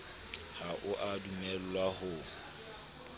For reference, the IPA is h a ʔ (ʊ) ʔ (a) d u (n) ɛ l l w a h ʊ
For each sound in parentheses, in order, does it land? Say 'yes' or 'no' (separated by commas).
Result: yes, yes, no